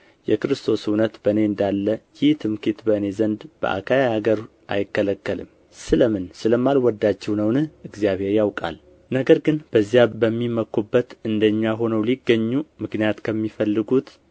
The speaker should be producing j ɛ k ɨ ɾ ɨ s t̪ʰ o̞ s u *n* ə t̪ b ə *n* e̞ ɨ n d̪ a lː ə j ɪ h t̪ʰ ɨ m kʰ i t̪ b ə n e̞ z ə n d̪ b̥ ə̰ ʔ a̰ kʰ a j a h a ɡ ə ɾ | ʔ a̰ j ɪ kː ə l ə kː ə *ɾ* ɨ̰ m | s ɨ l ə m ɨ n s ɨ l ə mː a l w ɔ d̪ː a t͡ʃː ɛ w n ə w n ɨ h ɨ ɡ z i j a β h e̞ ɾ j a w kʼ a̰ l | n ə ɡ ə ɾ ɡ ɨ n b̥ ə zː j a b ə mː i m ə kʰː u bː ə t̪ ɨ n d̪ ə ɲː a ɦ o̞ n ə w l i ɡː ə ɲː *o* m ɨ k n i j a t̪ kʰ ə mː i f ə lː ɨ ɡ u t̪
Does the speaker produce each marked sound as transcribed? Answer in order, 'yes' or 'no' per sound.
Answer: yes, yes, no, no

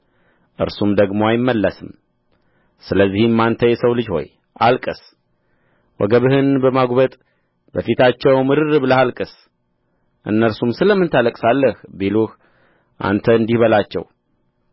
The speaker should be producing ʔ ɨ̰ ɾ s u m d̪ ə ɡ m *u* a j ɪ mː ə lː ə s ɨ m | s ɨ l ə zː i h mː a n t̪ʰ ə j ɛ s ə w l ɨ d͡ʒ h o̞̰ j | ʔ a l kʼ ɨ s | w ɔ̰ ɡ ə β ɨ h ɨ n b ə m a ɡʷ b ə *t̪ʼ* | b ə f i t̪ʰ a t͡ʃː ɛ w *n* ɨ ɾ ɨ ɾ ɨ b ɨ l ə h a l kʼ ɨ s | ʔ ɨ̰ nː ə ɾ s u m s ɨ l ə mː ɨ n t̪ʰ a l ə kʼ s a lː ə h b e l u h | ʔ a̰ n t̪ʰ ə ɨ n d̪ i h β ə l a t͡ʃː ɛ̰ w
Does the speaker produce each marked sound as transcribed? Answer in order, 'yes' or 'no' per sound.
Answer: no, yes, no

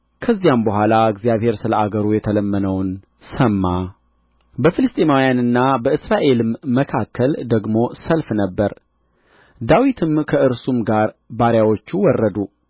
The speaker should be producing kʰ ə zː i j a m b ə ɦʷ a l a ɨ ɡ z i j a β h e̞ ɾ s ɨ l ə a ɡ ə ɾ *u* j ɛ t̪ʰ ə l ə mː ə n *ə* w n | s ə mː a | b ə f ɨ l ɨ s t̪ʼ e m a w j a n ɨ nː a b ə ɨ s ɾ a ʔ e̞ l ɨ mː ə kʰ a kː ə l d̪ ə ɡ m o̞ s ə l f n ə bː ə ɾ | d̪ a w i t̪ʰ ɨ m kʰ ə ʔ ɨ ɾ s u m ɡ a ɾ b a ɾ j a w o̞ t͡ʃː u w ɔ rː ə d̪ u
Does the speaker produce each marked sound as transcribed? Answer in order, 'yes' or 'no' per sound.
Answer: yes, yes

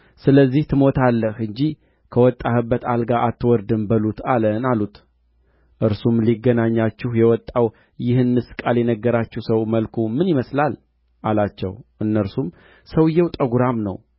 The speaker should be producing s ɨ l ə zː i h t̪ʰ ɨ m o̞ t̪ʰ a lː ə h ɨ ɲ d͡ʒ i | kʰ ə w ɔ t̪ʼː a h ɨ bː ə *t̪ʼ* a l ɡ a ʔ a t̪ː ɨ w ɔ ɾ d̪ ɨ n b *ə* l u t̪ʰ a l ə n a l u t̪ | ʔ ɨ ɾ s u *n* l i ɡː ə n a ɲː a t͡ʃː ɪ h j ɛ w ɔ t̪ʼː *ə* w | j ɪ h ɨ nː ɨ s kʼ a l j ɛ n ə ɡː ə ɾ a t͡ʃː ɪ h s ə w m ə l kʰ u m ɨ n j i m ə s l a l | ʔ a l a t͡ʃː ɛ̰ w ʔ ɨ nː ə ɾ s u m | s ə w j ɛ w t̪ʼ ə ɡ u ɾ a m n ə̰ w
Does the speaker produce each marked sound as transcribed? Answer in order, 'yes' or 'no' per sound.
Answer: no, yes, no, no

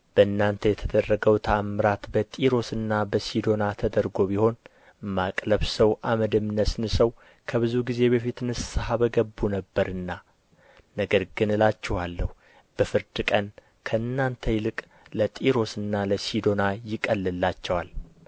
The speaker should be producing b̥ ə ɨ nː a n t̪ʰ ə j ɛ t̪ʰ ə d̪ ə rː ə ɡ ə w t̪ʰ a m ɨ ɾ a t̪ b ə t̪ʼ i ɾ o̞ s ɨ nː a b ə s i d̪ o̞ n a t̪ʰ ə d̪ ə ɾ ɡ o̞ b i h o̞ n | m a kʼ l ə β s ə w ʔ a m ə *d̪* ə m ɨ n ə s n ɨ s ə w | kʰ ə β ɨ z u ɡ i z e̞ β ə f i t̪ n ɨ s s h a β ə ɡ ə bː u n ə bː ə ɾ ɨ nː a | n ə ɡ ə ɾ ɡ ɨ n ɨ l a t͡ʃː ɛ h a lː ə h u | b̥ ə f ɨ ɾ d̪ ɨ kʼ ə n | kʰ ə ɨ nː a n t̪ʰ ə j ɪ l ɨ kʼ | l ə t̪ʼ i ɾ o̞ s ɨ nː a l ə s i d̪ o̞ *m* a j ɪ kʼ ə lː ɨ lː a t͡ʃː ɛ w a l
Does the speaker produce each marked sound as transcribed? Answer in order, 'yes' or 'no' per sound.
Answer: yes, no

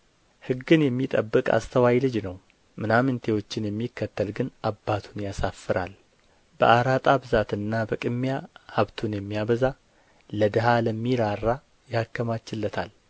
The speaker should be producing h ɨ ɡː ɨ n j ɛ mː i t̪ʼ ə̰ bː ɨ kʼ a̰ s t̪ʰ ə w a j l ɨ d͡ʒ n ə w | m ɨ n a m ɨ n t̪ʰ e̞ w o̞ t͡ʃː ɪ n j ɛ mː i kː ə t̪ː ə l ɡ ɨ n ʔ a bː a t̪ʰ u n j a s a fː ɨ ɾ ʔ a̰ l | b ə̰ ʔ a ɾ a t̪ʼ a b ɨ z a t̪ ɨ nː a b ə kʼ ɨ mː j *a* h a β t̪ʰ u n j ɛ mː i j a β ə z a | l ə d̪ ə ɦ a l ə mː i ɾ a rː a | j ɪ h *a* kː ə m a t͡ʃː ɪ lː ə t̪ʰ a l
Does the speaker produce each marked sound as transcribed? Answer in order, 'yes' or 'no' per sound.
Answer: yes, yes

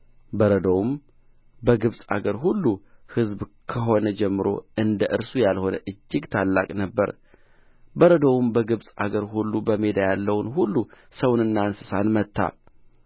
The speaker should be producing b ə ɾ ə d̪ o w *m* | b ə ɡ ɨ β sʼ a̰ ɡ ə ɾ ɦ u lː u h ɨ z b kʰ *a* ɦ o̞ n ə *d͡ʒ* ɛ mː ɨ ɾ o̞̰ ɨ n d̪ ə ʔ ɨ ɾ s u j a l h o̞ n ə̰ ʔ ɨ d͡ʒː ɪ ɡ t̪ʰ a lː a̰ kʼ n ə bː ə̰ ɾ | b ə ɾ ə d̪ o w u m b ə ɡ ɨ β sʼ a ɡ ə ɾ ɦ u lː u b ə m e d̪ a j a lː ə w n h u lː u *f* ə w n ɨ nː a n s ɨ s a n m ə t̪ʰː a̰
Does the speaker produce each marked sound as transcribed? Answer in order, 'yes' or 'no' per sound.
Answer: yes, no, yes, no

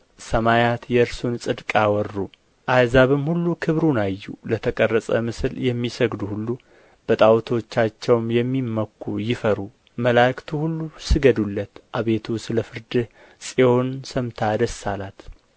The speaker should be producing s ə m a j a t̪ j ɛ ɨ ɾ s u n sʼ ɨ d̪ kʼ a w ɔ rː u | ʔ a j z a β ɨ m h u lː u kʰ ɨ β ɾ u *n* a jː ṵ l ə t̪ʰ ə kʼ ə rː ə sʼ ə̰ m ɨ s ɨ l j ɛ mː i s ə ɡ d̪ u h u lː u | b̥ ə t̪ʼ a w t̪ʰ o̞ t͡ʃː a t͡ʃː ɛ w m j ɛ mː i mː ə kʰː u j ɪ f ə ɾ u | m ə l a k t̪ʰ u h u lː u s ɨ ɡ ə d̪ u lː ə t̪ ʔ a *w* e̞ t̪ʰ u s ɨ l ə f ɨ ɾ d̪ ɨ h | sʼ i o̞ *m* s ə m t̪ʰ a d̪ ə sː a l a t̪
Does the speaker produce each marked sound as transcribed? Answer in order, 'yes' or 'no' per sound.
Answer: yes, no, no

